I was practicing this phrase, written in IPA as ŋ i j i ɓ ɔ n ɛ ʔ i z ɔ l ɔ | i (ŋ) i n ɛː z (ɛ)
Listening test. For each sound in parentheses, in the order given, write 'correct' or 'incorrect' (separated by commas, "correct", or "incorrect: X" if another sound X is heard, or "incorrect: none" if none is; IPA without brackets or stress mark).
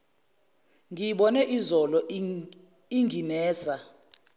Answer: correct, incorrect: a